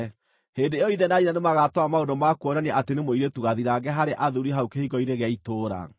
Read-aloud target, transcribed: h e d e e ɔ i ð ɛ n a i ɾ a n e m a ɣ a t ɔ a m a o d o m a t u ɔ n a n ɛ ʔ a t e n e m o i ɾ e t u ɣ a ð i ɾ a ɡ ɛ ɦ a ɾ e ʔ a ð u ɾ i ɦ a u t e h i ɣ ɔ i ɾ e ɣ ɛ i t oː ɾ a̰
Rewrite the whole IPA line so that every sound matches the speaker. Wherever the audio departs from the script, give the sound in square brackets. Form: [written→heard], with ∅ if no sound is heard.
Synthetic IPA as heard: h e d e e ɔ i ð ɛ n a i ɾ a n e m a ɣ a t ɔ a m a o d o m a [t→k] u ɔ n a n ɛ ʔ a t e n e m o i ɾ e t u ɣ a ð i ɾ a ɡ ɛ ɦ a ɾ e ʔ a ð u ɾ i ɦ a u [t→k] e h i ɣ ɔ i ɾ e ɣ ɛ i t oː ɾ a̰